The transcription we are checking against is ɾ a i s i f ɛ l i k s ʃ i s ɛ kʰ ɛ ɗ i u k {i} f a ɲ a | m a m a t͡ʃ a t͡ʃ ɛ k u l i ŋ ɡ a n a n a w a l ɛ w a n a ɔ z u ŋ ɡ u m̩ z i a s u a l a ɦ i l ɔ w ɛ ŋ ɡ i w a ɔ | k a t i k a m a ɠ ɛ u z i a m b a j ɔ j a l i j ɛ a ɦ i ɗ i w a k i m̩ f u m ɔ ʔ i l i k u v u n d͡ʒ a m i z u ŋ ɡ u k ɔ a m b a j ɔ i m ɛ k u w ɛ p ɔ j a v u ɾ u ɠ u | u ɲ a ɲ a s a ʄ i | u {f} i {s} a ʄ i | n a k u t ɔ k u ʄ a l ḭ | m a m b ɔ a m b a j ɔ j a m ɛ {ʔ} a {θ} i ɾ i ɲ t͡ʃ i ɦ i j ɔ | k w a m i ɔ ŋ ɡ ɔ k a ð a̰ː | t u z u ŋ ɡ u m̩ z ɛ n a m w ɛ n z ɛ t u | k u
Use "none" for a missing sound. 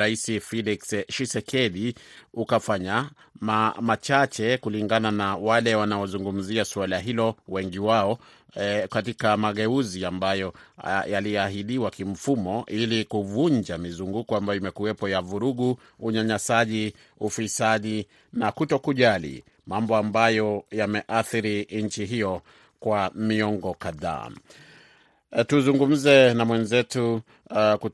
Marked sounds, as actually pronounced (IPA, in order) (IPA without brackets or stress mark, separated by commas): a, f, s, ʔ, θ